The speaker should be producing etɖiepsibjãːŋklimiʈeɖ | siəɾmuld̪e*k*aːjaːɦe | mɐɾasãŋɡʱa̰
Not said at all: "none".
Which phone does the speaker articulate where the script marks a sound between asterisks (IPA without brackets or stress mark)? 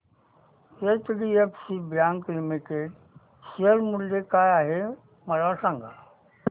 k